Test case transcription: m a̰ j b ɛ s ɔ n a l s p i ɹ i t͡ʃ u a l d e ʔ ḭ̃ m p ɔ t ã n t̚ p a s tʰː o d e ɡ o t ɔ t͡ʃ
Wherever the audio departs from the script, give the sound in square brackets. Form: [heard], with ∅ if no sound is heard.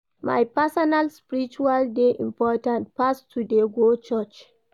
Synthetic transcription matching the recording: m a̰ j [p] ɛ s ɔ n a l s p i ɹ i t͡ʃ u a l d e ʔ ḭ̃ m p ɔ t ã n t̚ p a s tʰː [u] d e ɡ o [t͡ʃ] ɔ t͡ʃ